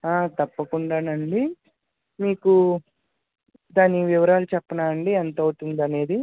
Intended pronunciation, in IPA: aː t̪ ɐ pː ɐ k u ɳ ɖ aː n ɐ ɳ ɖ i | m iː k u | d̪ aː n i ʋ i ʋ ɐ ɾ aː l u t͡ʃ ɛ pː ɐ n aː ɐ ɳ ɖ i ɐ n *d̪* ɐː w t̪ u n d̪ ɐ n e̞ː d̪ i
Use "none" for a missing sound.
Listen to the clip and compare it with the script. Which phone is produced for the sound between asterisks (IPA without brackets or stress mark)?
t̪